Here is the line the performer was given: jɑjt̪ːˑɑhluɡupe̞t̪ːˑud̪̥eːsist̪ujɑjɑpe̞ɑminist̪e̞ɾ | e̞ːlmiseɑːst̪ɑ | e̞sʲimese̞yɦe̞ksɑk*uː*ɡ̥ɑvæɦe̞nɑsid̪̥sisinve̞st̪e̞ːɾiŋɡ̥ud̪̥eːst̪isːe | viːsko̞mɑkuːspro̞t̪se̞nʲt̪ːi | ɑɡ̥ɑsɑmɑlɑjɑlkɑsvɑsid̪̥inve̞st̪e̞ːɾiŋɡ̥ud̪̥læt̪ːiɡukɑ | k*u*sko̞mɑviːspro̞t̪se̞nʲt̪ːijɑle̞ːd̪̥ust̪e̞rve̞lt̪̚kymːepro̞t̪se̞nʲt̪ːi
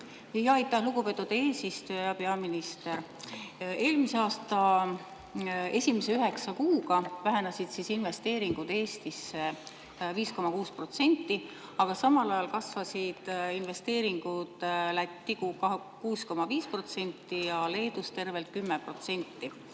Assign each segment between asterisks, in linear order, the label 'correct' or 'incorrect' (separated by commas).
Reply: correct, incorrect